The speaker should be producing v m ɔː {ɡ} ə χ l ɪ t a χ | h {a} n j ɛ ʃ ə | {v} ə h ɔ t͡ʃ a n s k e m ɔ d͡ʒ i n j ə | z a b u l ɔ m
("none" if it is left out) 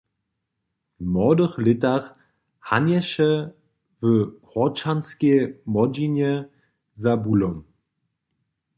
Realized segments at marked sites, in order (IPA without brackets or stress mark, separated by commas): d, a, v